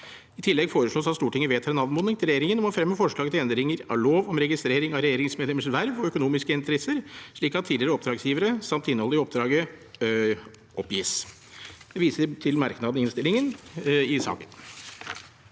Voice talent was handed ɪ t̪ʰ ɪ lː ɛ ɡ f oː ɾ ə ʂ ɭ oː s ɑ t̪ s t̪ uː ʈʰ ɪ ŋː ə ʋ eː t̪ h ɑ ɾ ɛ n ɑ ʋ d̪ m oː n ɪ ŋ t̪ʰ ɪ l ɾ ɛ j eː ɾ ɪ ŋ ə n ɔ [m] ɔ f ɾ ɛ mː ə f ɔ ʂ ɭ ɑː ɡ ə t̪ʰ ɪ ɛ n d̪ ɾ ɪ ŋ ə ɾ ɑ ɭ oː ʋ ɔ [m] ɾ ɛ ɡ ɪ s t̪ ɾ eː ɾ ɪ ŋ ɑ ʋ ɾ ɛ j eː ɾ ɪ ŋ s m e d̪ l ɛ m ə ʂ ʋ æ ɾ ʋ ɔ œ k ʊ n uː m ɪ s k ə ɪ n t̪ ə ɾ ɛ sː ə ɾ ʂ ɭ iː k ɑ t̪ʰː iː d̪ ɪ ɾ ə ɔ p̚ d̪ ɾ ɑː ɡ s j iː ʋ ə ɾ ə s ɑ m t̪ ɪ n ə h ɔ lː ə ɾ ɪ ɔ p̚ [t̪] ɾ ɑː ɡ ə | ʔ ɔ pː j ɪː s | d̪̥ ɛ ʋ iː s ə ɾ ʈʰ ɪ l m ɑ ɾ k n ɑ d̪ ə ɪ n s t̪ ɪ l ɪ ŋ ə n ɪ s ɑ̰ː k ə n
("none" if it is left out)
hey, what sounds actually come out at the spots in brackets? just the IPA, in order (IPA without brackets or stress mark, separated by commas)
m, m, d̪